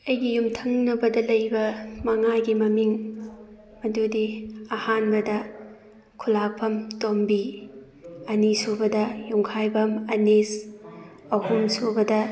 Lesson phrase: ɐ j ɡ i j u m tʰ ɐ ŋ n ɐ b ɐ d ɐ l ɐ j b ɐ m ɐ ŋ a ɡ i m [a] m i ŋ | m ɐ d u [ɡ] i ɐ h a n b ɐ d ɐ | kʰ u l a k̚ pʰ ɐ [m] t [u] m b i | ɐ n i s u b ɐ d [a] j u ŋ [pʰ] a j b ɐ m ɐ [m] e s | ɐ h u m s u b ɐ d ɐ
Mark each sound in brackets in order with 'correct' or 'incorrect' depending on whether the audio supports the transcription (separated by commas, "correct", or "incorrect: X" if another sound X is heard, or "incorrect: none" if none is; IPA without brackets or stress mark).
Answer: incorrect: ɐ, incorrect: d, correct, incorrect: o, incorrect: ɐ, incorrect: kʰ, incorrect: n